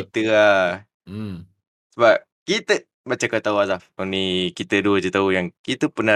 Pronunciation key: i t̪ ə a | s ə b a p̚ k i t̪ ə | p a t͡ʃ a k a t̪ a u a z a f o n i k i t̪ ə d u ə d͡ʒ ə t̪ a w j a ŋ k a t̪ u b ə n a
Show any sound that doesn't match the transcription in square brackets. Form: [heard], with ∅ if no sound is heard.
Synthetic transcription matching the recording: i t̪ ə a | s ə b a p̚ k i t̪ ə | [b] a t͡ʃ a k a t̪ a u a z a f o n i k i t̪ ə d u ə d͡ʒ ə t̪ a [u] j a ŋ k [i] t̪ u [p] ə n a